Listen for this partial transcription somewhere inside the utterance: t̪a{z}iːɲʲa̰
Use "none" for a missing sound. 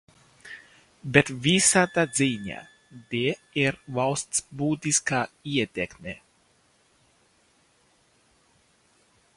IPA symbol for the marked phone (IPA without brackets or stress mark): z